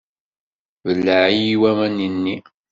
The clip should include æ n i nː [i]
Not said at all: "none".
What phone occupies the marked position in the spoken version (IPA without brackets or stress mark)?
i